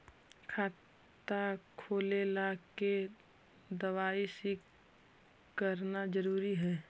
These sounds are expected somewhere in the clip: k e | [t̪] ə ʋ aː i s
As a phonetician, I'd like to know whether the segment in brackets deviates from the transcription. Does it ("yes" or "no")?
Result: yes